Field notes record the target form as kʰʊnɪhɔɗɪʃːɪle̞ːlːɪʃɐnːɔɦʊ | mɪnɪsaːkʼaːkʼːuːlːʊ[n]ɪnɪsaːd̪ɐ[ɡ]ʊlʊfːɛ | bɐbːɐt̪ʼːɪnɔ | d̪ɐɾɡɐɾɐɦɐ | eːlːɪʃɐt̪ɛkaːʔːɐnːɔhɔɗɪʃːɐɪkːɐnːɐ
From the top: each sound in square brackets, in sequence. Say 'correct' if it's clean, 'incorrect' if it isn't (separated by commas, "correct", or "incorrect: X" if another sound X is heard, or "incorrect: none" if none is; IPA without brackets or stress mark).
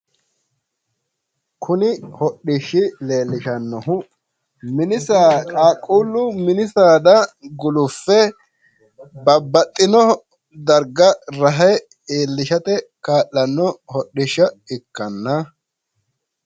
incorrect: m, correct